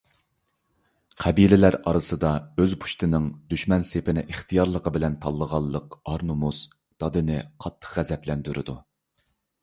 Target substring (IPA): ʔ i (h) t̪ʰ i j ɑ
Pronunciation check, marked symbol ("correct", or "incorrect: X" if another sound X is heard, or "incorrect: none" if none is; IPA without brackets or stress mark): incorrect: χ